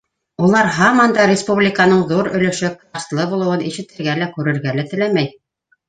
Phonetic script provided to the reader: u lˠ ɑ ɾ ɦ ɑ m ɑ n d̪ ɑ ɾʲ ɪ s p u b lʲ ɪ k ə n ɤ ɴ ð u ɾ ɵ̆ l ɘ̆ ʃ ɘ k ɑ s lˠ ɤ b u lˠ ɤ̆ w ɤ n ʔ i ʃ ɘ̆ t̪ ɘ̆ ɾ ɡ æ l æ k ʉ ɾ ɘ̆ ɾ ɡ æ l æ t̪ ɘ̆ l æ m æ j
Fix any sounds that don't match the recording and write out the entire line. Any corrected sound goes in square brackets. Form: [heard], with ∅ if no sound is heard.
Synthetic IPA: u lˠ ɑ ɾ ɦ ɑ m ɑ n d̪ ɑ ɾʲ ɪ s p u b lʲ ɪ k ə n ɤ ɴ ð u ɾ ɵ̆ l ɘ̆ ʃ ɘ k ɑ s lˠ ɤ b u lˠ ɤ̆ w ɤ n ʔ i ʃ ɘ̆ t̪ ɘ̆ ɾ ɡ æ l æ k ʉ ɾ ɘ̆ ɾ ɡ æ l æ t̪ ɘ̆ l æ m æ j